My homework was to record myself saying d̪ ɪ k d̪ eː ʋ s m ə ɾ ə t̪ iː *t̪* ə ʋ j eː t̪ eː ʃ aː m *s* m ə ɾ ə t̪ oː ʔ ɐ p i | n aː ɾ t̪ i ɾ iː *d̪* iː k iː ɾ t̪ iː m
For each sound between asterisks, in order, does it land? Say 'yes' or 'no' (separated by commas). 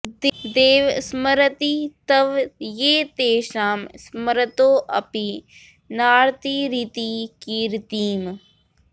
yes, yes, no